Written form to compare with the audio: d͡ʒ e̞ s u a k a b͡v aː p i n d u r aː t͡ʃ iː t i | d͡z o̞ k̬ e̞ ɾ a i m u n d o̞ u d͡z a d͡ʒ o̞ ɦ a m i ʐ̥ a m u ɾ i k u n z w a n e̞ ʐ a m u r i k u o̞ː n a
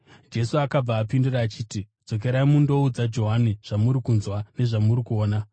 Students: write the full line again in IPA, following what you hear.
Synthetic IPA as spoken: d͡ʒ e̞ s u a k a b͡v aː p i n d u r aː t͡ʃ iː t i | d͡z o̞ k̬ e̞ ɾ a i m u n d o̞ u d͡z a d͡ʒ o̞ ɦ a n i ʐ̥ a m u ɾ i k u n z w a n e̞ ʐ a m u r i k u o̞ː n a

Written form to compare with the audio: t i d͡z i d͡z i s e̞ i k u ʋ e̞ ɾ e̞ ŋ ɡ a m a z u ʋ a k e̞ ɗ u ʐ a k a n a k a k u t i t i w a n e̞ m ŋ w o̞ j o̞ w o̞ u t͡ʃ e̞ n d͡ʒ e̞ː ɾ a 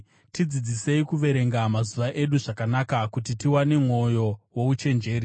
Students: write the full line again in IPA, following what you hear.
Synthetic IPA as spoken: t i d͡z i d͡z i s e̞ i k u ʋ e̞ ɾ e̞ ŋ ɡ a m a z u ʋ a ʔ e̞ ɗ u ʐ a k a n a k a k u t i t i w a n e̞ m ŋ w o̞ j o̞ w o̞ u t͡ʃ e̞ n d͡ʒ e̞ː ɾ i

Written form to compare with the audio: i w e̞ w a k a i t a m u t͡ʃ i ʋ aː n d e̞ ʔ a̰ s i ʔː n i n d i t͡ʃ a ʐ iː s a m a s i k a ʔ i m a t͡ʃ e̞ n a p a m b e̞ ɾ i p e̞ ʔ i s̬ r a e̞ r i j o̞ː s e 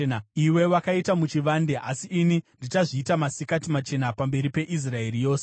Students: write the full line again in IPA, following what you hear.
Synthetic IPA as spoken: i w e̞ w a k a i t a m u t͡ʃ i ʋ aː n d e̞ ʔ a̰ s i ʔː n i n d i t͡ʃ a ʐ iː t a m a s i k a t i m a t͡ʃ e̞ n a p a m b e̞ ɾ i p e̞ ʔ i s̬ r a e̞ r i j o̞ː s e

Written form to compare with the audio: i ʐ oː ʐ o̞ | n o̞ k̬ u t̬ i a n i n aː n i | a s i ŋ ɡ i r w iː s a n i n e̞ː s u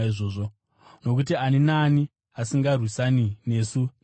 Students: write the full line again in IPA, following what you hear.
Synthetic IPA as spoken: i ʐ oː ʐ o̞ | n o̞ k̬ u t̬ i a n i n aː n i | a s i ŋ ɡ a r w i s a n i n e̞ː s u

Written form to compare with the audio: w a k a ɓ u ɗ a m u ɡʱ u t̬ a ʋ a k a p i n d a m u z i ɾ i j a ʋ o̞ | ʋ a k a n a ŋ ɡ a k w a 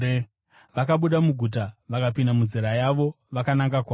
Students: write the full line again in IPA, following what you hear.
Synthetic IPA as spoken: ʋ a k a ɓ u ɗ a m u ɡʱ u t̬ a ʋ a k a p i n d a m u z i ɾ a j a ʋ o̞ | ʋ a k a n a ŋ ɡ a k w a

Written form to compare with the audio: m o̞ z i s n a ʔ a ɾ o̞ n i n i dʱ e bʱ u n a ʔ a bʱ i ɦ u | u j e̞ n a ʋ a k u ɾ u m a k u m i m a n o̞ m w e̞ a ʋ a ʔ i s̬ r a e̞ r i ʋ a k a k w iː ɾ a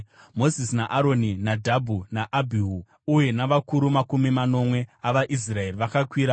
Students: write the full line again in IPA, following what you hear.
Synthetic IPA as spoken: m o̞ z i s n a ʔ a ɾ o̞ n i n a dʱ a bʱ u n a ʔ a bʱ i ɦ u | u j e̞ n a ʋ a k u ɾ u m a k u m i m a n o̞ m w e̞ a ʋ a ʔ i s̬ r a e̞ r i ʋ a k a k w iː ɾ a

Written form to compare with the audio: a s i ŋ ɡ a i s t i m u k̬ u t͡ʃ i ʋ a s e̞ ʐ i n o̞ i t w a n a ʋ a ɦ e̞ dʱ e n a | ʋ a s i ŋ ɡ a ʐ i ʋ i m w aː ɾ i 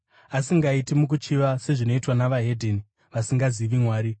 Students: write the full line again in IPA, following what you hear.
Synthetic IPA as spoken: a s i ŋ ɡ a i t i m u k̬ u t͡ʃ i ʋ a s e̞ ʐ i n o̞ i t w a n a ʋ a ɦ e̞ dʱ e n i | ʋ a s i ŋ ɡ a z i ʋ i m w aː ɾ i

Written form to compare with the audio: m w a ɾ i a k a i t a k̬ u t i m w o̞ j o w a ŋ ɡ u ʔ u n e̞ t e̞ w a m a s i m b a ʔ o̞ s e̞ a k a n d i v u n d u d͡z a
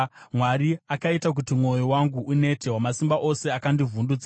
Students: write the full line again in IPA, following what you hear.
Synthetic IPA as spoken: m w a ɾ i a k a i t a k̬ u t i m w o̞ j o w a ŋ ɡ u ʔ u n e̞ t e̞ w a m a s i m b a ʔ o̞ s e̞ a k a n d i v u n d u d͡z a

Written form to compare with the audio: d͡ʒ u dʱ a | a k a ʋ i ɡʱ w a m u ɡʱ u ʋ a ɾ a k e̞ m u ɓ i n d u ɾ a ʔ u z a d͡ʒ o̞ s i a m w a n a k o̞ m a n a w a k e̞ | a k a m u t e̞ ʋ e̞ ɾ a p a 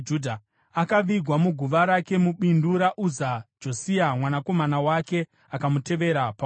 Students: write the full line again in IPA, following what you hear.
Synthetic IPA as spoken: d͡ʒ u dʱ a | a k a ʋ i ɡʱ w a m u ɡʱ u ʋ a ɾ a k e̞ m u ɓ i n d u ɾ a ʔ u z a d͡ʒ o̞ s i a m w a n a k o̞ m a n a w a k e̞ | a k a m u t e̞ ʋ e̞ ɾ a p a

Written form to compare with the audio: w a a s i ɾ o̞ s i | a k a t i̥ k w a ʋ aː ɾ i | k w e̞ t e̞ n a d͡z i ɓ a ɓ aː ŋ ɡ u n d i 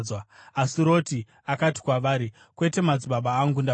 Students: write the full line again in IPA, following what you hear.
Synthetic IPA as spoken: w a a s i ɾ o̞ t i | a k a t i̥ k w a ʋ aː ɾ i | k w e̞ t e̞ m a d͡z i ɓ a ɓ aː ŋ ɡ u n d a

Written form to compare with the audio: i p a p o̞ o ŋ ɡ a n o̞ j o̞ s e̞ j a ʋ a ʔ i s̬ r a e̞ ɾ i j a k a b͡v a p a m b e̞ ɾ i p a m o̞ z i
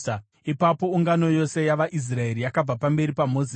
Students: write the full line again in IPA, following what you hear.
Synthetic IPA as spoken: i p a p o̞ u ŋ ɡ a n o̞ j o̞ s e̞ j a ʋ a ʔ i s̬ r a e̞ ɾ i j a k a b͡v a p a m b e̞ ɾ i p a m o̞ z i

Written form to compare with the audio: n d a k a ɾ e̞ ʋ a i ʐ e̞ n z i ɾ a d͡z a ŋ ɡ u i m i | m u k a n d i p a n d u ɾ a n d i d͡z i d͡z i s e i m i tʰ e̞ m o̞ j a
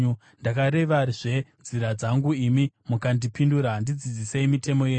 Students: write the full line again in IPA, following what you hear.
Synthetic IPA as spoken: n d a k a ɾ e̞ ʋ a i ʐ e̞ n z i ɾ a d͡z a ŋ ɡ u i m i | m u k a n d i p i n d u ɾ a n d i d͡z i d͡z i s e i m i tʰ e̞ m o̞ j e

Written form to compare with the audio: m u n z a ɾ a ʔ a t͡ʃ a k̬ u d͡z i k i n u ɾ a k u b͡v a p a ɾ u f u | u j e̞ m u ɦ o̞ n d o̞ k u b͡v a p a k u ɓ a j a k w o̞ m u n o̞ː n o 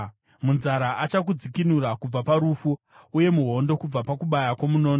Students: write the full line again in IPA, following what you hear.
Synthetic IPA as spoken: m u n z a ɾ a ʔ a t͡ʃ a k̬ u d͡z i k i n u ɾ a k u b͡v a p a ɾ u f u | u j e̞ m u ɦ o̞ n d o̞ k u b͡v a p a k u ɓ a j a k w o̞ m u n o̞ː n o

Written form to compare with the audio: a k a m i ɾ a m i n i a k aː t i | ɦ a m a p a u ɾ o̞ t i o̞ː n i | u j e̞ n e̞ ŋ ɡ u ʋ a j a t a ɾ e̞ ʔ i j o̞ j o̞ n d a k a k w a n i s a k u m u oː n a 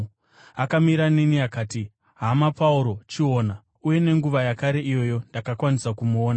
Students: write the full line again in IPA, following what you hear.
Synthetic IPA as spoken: a k a m i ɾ a n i n i a k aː t i | ɦ a m a p a u ɾ o̞ t͡ʃ i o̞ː n a | u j e̞ n e̞ ŋ ɡ u ʋ a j a k a ɾ e̞ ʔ i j o̞ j o̞ n d a k a k w a n i s a k u m u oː n a

